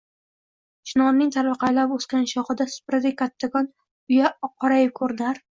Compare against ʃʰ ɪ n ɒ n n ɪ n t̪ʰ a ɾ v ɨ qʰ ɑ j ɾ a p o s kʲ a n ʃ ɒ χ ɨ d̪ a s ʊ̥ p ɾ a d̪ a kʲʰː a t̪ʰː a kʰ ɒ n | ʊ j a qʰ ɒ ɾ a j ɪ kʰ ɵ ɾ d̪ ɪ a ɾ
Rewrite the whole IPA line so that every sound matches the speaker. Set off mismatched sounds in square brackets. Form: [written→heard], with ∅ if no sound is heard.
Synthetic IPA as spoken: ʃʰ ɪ n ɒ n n ɪ [n→ŋ] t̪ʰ a ɾ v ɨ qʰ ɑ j [ɾ→l] a p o s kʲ a n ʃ ɒ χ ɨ d̪ a s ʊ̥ p ɾ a d̪ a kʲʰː a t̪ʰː a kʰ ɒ n | ʊ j a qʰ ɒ ɾ a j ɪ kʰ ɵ ɾ d̪ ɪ a ɾ